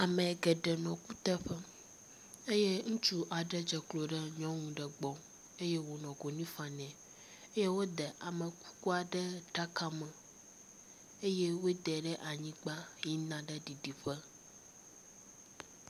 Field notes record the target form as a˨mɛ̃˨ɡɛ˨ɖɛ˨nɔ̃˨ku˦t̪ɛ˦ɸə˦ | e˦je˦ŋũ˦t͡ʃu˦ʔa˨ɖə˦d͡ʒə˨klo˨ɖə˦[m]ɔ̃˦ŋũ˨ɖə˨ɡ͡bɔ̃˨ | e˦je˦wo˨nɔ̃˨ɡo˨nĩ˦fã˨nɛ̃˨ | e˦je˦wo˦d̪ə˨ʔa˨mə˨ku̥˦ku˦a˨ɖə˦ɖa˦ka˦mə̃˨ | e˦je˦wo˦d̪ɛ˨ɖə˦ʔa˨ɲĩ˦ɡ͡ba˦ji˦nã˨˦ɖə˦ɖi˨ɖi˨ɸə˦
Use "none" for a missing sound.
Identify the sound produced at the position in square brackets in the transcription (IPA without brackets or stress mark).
ɲ